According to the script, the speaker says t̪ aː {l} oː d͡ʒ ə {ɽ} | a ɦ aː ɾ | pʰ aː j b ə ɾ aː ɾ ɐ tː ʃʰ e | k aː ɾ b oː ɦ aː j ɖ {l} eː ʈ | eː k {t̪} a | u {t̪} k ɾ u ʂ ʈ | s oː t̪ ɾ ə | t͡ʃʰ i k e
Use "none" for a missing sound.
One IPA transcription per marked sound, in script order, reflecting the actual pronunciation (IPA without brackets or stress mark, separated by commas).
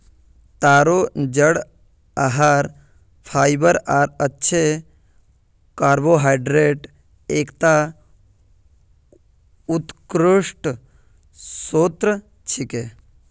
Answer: ɾ, ɽ, ɾ, t̪, t̪